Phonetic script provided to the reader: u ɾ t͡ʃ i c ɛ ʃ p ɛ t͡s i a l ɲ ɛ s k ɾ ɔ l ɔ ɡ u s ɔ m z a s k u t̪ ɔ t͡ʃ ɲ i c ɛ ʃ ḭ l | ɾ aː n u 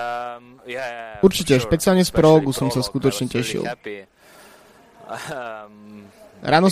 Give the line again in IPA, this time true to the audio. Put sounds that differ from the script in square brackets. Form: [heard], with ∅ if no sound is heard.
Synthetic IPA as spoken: u ɾ t͡ʃ i c ɛ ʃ p ɛ t͡s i a l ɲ ɛ s [p] ɾ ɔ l ɔ ɡ u s ɔ m [s] a s k u t̪ ɔ t͡ʃ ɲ [ɛ] c ɛ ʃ ḭ l | ɾ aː n [ɔ]